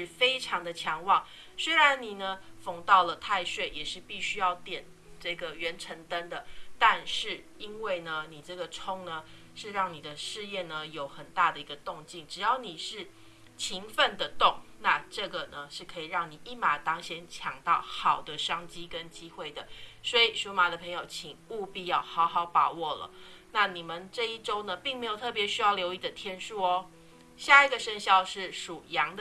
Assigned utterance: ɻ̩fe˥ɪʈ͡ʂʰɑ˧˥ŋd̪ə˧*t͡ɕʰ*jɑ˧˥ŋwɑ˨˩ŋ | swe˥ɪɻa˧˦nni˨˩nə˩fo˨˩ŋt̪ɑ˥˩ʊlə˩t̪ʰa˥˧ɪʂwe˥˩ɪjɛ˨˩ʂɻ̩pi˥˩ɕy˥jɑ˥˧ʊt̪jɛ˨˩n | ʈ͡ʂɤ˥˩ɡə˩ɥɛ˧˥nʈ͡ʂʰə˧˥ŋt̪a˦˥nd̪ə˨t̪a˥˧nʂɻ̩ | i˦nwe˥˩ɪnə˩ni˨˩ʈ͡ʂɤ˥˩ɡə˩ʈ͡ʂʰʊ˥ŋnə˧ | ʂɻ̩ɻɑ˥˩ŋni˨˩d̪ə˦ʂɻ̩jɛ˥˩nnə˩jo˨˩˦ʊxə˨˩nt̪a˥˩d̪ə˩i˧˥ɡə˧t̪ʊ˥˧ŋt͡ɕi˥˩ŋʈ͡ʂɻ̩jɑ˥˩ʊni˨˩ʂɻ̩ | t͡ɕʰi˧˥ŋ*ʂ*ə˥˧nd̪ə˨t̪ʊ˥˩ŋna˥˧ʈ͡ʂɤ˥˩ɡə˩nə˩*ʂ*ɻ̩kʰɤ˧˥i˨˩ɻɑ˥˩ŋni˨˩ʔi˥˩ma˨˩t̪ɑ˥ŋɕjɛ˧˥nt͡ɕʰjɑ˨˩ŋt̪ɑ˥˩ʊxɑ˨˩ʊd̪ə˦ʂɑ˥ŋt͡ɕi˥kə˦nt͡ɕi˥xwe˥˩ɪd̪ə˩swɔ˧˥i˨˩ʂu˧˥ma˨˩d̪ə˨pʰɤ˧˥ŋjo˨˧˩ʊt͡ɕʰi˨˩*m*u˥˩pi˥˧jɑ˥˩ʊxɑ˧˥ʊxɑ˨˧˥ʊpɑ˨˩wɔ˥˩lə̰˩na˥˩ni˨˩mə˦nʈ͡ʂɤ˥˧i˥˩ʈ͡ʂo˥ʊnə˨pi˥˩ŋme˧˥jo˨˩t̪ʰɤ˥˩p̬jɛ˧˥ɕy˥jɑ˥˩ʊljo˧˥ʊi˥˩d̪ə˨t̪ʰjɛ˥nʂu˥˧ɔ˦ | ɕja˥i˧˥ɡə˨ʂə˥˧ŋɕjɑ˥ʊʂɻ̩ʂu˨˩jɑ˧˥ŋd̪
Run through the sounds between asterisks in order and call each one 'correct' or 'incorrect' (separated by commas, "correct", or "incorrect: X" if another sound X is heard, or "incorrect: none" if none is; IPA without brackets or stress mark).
correct, incorrect: f, correct, incorrect: ŋ